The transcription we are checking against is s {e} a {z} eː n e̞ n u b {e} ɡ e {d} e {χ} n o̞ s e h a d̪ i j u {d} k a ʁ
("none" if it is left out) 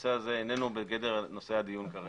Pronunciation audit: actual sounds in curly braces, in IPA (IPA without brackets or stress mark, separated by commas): e, z, e, d, ʁ, n